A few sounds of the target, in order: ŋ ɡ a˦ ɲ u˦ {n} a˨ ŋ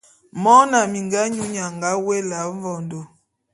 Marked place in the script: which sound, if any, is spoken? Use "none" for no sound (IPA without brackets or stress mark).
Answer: ɲ